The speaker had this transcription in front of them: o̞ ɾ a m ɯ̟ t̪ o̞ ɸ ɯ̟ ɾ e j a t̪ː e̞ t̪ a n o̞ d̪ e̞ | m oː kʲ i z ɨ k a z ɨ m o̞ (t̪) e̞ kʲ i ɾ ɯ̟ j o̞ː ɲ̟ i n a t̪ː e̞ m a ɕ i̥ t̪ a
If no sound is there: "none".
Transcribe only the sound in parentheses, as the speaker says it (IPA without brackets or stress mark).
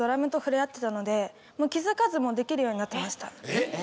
d̪